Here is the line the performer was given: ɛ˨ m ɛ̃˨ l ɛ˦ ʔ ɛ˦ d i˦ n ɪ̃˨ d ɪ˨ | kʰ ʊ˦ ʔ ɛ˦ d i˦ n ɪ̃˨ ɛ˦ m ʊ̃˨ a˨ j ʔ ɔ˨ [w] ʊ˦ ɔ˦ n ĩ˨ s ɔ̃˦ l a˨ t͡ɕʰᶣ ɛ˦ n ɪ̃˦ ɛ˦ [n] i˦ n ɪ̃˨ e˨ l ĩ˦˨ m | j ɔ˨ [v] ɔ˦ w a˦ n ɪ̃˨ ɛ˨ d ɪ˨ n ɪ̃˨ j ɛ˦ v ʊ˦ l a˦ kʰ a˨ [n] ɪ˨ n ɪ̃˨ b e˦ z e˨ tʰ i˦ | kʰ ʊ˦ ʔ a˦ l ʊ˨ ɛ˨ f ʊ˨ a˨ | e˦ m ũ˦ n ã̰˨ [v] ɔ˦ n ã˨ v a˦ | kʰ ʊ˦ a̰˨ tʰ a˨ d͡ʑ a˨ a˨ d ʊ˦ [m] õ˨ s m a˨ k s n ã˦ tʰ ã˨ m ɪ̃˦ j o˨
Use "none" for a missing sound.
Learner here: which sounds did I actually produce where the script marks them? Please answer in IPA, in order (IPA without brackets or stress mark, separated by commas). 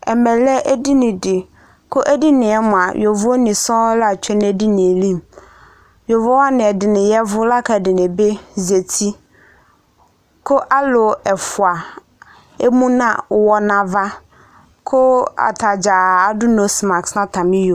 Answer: v, d, v, d, w, n